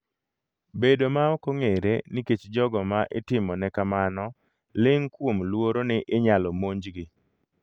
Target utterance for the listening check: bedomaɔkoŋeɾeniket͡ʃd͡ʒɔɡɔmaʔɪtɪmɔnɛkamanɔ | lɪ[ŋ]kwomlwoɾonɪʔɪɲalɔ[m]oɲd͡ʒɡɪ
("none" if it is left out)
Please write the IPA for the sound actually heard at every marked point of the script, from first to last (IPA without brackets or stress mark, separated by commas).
ŋ, m